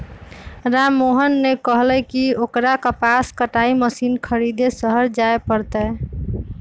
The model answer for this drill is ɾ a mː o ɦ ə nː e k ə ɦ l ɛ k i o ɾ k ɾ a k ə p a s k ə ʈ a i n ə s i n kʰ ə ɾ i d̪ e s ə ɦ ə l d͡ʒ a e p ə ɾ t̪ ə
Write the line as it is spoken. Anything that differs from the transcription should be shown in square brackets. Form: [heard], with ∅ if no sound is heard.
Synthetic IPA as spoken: ɾ a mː o ɦ ə nː e k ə ɦ l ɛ k i o [∅] k ɾ a k ə p a s k ə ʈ a i [m] ə s i n kʰ ə ɾ i d̪ e s ə ɦ ə [ɾ] d͡ʒ a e p ə ɾ t̪ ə